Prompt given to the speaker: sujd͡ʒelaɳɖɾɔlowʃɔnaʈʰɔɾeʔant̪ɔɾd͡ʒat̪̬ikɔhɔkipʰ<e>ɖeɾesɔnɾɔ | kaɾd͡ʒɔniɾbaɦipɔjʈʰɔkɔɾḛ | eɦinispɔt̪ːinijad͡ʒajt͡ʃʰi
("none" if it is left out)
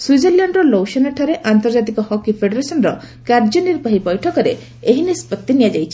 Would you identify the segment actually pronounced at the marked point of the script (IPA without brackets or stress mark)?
e